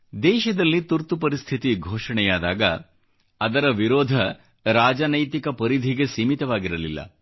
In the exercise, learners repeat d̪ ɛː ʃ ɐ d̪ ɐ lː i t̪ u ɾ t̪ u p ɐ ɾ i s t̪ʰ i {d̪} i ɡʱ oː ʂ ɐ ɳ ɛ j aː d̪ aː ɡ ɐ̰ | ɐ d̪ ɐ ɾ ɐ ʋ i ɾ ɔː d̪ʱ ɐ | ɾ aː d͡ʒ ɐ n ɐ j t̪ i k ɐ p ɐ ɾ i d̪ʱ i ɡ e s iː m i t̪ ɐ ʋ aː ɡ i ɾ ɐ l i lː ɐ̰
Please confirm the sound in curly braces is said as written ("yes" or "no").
no